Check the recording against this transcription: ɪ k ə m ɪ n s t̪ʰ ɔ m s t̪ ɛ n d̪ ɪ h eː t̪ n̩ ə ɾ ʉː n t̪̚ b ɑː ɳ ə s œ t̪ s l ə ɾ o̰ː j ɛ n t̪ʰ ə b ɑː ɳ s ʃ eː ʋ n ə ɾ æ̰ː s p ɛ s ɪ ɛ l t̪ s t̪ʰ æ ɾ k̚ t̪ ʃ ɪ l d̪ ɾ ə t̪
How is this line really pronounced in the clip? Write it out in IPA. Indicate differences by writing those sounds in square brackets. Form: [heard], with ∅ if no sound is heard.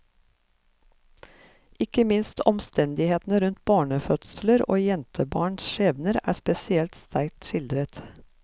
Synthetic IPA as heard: ɪ k ə m ɪ n s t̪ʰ ɔ m s t̪ ɛ n d̪ ɪ h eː t̪ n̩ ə ɾ [ʉ] n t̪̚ b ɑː ɳ ə [f] œ t̪ s l ə ɾ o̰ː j ɛ n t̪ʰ ə b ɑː ɳ s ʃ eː ʋ n ə ɾ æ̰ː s p ɛ s ɪ ɛ l t̪ s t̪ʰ æ ɾ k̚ t̪ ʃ ɪ l d̪ ɾ ə t̪

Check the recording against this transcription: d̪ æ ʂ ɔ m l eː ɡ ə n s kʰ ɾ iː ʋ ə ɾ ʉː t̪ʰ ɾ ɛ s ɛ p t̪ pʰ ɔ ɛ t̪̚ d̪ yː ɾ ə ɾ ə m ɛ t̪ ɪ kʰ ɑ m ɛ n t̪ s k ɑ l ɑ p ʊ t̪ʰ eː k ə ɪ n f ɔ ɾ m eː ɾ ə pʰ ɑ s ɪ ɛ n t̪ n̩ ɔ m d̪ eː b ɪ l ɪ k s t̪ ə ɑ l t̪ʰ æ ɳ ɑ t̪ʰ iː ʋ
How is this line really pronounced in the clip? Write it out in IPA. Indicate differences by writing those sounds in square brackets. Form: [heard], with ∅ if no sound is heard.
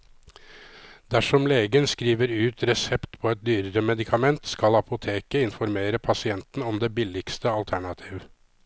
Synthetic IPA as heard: d̪ æ ʂ ɔ m l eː ɡ ə n s [k] ɾ iː ʋ ə ɾ ʉː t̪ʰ ɾ ɛ s ɛ p t̪ pʰ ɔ ɛ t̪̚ d̪ yː ɾ ə ɾ ə m ɛ [d̪] ɪ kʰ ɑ m ɛ n t̪ s k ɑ l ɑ p ʊ t̪ʰ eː k ə ɪ n f ɔ ɾ m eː ɾ ə pʰ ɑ s ɪ ɛ n t̪ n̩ ɔ m d̪ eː b ɪ l ɪ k s t̪ ə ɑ l t̪ʰ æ ɳ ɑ t̪ʰ iː ʋ

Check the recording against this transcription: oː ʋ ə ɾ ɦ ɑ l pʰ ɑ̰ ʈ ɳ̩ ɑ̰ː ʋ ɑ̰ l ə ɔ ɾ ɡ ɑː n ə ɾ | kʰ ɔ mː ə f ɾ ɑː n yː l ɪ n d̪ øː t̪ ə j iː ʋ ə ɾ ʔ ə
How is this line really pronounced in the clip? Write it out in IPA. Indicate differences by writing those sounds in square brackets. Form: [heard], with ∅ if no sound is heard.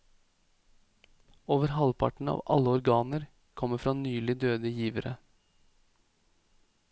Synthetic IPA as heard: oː ʋ ə ɾ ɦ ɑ l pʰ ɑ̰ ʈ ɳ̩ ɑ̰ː ʋ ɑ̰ l ə ɔ ɾ ɡ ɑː n ə ɾ | kʰ ɔ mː ə f ɾ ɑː n yː l ɪ [∅] d̪ øː [d̪] ə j iː ʋ ə ɾ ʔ ə

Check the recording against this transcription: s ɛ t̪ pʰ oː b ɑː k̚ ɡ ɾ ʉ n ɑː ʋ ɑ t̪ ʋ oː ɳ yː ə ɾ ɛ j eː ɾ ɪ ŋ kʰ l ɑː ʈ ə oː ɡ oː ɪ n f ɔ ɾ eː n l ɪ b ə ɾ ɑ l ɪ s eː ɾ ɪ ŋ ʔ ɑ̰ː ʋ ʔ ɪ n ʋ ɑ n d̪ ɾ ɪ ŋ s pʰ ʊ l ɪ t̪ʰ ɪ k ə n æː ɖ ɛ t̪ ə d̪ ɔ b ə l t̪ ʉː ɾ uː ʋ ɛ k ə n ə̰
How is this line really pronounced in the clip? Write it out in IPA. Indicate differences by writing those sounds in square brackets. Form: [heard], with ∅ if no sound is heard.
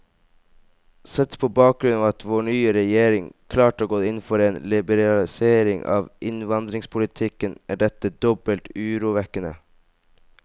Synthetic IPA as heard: s ɛ t̪ pʰ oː b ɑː k̚ ɡ ɾ ʉ n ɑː ʋ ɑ t̪ ʋ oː ɳ yː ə ɾ ɛ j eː ɾ ɪ ŋ kʰ l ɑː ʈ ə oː ɡ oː ɪ n f ɔ ɾ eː n l ɪ b ə ɾ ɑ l ɪ s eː ɾ ɪ ŋ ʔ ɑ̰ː ʋ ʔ ɪ n ʋ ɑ n d̪ ɾ ɪ ŋ s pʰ ʊ l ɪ t̪ʰ ɪ k ə n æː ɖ ɛ t̪ ə d̪ ɔ b ə l t̪ ʉː ɾ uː ʋ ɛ k ə n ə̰

